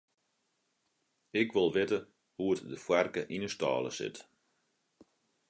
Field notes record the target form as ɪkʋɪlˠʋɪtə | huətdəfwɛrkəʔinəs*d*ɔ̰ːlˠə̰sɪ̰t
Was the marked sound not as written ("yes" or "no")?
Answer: yes